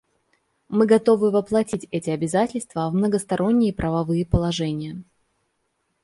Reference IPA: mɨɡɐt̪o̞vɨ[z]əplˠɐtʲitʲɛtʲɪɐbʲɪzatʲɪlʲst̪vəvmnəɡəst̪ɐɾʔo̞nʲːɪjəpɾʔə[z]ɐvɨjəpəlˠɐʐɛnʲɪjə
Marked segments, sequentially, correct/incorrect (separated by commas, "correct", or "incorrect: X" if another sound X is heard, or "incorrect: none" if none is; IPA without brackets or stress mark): incorrect: v, incorrect: v